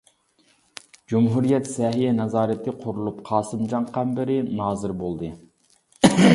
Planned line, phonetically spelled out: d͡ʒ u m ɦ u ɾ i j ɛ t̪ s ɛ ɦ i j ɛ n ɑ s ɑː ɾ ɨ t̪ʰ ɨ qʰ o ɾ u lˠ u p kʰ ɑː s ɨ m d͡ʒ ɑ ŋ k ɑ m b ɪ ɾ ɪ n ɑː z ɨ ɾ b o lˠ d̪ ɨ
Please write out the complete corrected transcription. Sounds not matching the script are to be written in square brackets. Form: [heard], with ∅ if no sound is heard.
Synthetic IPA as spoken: d͡ʒ u m ɦ u ɾ i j ɛ t̪ s ɛ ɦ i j ɛ n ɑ [z] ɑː ɾ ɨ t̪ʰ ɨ qʰ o ɾ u lˠ u p [qʰ] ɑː s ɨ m d͡ʒ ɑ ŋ [q] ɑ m b ɪ ɾ ɪ n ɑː z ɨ ɾ b o lˠ d̪ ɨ